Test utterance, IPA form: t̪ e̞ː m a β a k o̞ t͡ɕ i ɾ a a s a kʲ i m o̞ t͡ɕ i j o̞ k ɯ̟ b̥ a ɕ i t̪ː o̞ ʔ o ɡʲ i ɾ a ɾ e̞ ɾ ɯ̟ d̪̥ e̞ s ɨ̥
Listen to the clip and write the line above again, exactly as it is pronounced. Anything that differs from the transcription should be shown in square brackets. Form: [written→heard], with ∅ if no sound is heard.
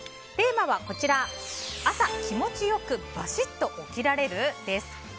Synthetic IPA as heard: t̪ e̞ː m a β a k o̞ t͡ɕ i ɾ a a s a kʲ i m o̞ t͡ɕ i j o̞ k ɯ̟ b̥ a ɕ i t̪ː o̞ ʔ o [ɡʲ→kʲ] i ɾ a ɾ e̞ ɾ ɯ̟ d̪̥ e̞ s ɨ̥

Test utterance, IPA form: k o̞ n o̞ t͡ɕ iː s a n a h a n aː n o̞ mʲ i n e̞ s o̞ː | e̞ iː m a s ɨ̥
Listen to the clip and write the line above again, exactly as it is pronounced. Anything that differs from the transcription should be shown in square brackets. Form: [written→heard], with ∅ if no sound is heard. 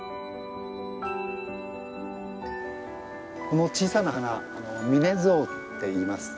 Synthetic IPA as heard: k o̞ n o̞ t͡ɕ iː s a n a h a n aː n o̞ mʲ i n e̞ [s→z] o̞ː | e̞ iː m a s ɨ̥

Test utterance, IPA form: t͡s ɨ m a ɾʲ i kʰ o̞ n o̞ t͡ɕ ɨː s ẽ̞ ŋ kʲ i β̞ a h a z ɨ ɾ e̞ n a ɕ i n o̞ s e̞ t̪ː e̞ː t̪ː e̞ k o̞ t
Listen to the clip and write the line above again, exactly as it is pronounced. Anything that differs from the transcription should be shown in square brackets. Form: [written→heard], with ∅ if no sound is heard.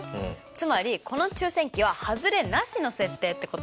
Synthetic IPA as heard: t͡s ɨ m a ɾʲ i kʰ o̞ n o̞ t͡ɕ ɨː s ẽ̞ ŋ kʲ i β̞ a h a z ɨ ɾ e̞ n a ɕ i n o̞ s e̞ t̪ː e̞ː t̪ː e̞ k o̞ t

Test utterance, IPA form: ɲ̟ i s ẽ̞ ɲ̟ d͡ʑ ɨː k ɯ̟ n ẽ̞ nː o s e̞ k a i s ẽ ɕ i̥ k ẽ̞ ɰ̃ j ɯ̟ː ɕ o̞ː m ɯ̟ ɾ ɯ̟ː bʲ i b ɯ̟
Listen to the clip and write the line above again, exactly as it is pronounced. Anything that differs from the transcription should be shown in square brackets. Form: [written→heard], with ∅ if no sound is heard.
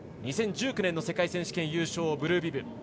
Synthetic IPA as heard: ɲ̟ i s ẽ̞ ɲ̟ d͡ʑ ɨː k ɯ̟ n ẽ̞ nː o s e̞ k a i s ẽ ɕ i̥ k ẽ̞ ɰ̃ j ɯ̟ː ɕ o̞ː [m→b] ɯ̟ ɾ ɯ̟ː bʲ i b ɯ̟

